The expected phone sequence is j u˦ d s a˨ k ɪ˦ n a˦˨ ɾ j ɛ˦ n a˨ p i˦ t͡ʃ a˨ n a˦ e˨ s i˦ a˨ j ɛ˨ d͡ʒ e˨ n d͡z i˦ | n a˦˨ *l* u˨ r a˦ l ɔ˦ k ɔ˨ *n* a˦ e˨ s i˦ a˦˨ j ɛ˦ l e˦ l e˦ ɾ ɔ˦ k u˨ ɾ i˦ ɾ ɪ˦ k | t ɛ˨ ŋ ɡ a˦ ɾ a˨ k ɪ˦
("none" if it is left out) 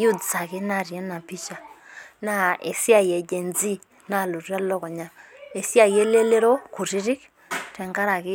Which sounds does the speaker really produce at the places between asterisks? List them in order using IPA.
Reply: l, ɲ

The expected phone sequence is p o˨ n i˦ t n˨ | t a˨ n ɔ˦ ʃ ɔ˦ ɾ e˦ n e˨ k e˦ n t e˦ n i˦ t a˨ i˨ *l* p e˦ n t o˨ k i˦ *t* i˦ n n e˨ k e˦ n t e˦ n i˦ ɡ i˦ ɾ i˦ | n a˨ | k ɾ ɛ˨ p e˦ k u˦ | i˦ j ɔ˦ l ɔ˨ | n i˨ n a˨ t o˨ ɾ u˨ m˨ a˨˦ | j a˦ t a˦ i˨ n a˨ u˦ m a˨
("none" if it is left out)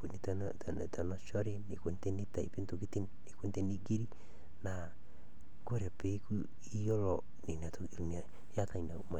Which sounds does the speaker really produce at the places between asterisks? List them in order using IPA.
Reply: none, t

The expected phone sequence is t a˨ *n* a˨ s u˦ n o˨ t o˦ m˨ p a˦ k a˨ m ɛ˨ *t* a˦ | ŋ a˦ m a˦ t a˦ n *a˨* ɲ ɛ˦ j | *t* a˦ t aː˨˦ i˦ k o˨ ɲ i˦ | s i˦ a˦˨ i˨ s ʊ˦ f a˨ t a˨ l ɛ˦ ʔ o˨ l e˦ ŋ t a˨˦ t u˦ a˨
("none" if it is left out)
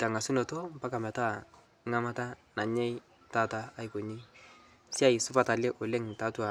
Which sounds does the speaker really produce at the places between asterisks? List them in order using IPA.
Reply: ŋ, t, a˨, t

